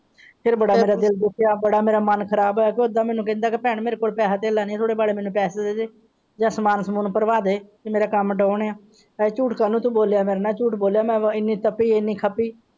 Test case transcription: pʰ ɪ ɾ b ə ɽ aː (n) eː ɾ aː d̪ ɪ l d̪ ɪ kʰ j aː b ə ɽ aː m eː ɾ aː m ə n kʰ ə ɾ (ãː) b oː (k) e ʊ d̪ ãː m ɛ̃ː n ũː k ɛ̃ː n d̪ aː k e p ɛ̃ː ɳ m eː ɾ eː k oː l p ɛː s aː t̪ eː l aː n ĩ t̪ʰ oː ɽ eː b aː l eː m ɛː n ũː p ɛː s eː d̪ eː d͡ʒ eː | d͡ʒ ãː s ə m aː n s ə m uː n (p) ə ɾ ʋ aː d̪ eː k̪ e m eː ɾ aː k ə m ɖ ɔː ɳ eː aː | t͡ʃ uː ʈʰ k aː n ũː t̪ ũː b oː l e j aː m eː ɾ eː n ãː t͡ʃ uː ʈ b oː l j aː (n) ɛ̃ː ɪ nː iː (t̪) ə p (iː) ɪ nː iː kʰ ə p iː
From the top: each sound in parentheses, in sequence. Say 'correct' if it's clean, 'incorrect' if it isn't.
incorrect, incorrect, correct, correct, incorrect, correct, correct

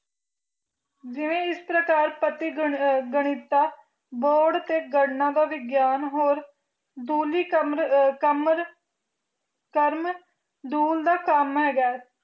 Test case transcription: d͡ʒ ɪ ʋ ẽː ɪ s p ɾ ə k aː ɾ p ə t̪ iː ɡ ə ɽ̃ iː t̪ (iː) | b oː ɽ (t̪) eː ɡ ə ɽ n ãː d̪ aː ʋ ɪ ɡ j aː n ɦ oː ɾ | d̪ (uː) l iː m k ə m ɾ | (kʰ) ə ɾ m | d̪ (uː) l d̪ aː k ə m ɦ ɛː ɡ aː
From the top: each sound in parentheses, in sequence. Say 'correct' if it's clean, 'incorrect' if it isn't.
incorrect, correct, correct, incorrect, correct

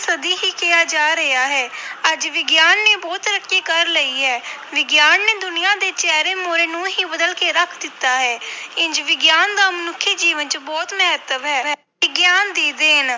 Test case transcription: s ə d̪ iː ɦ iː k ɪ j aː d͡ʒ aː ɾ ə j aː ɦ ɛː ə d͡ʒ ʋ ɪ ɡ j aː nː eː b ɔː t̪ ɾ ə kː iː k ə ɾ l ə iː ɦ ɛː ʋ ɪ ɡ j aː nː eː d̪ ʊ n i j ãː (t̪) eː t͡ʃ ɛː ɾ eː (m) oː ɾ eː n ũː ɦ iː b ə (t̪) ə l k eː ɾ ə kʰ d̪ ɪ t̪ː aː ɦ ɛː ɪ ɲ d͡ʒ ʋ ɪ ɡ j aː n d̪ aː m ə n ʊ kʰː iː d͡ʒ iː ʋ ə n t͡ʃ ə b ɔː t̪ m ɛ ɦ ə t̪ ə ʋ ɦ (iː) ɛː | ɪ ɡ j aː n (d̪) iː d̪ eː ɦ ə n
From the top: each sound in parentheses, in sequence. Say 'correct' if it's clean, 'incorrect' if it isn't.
incorrect, correct, incorrect, incorrect, correct

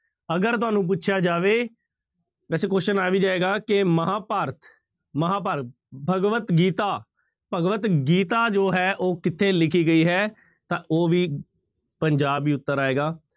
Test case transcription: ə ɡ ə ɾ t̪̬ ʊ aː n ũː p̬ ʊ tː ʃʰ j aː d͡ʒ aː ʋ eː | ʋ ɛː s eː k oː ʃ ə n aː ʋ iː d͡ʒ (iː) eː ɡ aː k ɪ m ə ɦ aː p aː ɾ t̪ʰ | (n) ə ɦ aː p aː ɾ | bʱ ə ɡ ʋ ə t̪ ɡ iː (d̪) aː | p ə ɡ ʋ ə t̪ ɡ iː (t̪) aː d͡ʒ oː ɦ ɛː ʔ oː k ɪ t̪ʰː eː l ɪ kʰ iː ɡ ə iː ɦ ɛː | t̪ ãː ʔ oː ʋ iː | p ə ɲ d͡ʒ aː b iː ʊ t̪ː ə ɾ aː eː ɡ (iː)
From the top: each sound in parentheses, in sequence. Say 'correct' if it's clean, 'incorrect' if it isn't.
incorrect, incorrect, incorrect, correct, incorrect

